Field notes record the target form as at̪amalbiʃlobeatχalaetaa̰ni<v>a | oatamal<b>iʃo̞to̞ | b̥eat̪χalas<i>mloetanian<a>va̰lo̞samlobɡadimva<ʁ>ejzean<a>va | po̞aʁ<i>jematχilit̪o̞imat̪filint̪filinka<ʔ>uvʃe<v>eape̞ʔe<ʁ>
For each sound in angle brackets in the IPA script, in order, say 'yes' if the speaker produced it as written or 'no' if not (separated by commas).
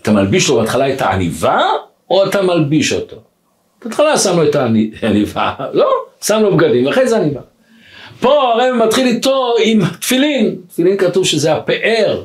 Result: yes, yes, no, no, no, no, no, no, no, yes